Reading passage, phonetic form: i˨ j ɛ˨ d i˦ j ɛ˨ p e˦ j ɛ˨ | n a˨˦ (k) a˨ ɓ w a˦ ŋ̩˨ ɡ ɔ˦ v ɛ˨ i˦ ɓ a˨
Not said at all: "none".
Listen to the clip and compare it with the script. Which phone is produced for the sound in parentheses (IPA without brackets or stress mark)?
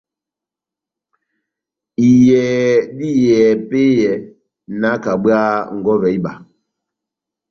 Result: k